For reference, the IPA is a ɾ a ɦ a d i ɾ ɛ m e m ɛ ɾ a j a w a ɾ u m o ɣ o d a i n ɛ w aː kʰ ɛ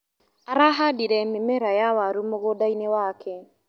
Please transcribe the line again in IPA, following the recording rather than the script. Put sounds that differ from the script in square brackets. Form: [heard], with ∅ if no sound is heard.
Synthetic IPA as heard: a ɾ a ɦ a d i ɾ ɛ m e m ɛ ɾ a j a w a ɾ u m o ɣ o d a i n [e] w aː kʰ ɛ